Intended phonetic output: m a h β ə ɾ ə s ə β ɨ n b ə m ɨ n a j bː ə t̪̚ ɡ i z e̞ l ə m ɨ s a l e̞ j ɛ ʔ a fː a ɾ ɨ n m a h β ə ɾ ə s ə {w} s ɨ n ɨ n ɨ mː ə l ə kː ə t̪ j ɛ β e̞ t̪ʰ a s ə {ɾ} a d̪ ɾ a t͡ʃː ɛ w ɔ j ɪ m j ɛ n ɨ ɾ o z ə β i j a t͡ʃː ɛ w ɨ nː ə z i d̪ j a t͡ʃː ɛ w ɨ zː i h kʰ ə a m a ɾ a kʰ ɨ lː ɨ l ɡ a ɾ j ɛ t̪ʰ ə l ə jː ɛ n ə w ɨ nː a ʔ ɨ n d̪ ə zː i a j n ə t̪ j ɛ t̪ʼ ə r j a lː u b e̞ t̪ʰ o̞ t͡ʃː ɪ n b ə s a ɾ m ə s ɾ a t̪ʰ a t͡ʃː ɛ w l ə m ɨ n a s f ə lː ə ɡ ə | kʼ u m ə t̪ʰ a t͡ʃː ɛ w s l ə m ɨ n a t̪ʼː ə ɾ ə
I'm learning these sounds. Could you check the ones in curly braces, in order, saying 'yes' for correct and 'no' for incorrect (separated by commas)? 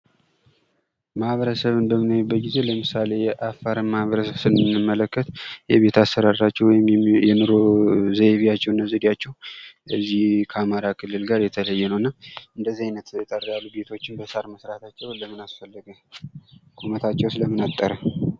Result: no, yes